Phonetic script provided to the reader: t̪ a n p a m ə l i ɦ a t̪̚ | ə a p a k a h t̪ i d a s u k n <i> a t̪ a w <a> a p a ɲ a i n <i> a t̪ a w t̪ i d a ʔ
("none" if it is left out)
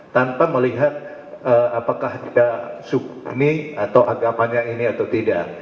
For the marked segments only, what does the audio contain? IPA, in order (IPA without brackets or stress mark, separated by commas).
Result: i, a, i